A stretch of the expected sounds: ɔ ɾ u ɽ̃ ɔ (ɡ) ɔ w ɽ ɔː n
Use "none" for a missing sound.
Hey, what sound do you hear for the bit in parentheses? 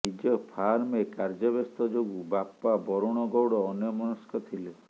ɡ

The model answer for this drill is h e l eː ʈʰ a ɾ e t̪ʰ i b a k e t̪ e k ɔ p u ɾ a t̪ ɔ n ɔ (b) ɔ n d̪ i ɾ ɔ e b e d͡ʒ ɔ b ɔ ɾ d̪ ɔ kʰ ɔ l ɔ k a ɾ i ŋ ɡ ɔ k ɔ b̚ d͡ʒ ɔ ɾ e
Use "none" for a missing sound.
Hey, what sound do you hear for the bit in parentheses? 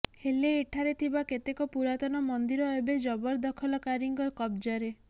m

